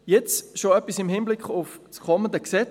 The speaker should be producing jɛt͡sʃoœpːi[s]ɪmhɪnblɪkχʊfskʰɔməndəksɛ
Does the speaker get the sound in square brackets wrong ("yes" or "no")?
no